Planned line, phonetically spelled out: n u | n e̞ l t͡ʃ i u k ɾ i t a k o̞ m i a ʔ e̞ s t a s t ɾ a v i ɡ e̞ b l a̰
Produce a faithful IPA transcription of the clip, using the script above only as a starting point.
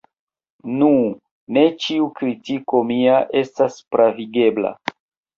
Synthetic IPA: n u | n e̞ t͡ʃ i u k ɾ i t i k o̞ m i a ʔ e̞ s t a s p ɾ a v i ɡ e̞ b l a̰